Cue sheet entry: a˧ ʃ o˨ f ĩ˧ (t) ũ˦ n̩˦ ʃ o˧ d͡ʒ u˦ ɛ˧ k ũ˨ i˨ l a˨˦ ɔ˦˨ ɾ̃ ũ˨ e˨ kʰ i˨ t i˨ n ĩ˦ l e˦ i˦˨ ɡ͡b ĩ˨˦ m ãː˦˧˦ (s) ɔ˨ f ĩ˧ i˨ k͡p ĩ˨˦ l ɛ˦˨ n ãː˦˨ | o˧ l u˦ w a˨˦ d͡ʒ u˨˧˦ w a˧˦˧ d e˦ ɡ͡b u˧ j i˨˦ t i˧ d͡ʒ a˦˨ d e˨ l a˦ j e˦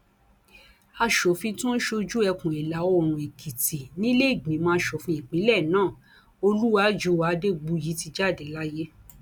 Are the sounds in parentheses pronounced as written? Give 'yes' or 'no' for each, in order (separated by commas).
yes, no